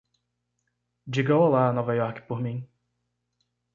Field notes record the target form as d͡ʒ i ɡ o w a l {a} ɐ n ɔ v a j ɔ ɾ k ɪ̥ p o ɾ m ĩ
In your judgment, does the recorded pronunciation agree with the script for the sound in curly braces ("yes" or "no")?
yes